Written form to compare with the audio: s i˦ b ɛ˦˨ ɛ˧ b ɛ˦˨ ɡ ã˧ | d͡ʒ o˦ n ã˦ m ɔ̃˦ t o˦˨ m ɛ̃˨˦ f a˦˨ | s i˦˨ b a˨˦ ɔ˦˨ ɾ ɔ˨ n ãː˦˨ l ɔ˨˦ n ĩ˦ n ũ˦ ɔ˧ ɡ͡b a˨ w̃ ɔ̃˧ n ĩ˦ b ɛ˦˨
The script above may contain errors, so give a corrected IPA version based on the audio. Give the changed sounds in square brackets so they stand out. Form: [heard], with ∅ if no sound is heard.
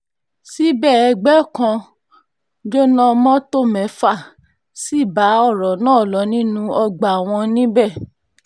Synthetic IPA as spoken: s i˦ b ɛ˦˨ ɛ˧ [ɡ͡b] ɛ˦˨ [k] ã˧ | d͡ʒ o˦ n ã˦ m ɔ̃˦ t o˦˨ m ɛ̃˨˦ f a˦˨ | s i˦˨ b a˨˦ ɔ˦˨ ɾ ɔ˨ n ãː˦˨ l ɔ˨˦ n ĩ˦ n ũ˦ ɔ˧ ɡ͡b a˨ w̃ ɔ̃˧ n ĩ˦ b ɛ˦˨